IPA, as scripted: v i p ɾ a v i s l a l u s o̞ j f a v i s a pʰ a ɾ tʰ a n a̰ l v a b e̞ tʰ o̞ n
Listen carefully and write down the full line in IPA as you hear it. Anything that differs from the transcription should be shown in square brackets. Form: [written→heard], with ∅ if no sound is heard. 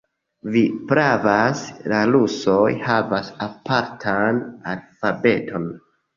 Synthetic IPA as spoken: v i p ɾ a v [i→a] s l a l u s o̞ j [f→h] a v [i→a] s a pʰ a ɾ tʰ a n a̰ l [v→f] a b e̞ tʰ o̞ n